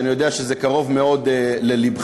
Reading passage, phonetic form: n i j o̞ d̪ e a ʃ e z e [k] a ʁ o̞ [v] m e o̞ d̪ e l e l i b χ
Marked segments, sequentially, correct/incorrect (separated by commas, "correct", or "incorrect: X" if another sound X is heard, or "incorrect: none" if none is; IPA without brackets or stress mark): correct, correct